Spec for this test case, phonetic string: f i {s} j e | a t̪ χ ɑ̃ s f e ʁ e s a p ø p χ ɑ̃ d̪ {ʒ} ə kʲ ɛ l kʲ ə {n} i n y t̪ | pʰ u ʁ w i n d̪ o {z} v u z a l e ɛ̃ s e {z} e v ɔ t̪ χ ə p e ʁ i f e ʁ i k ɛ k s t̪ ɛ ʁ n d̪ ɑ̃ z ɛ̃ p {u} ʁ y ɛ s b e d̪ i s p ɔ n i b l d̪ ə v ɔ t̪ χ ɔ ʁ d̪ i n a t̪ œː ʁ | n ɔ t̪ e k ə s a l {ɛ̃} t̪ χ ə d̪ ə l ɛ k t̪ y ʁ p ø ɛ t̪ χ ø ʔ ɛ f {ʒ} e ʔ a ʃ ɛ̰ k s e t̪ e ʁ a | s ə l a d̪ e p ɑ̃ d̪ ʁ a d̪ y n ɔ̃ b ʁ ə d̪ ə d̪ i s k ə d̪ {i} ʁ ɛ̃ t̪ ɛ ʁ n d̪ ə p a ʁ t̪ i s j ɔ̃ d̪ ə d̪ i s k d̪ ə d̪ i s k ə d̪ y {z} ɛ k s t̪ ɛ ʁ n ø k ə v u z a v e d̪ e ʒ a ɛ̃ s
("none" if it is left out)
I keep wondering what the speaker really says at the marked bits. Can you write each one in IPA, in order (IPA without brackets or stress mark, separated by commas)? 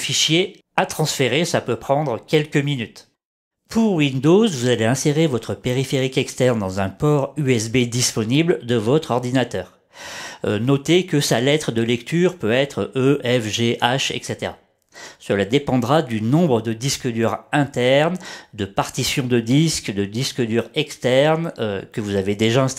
ʃ, ʁ, m, z, ʁ, ɔ, ɛ, ʒ, y, ʁ